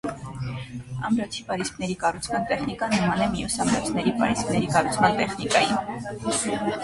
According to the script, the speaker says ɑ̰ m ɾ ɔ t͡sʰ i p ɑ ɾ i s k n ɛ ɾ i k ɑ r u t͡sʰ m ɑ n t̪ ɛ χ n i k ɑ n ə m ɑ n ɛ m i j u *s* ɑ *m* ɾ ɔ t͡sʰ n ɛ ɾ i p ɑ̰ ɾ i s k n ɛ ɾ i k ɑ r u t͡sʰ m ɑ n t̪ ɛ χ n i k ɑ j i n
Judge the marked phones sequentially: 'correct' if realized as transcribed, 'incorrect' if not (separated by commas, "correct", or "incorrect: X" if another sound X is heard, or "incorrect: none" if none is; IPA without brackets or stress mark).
correct, correct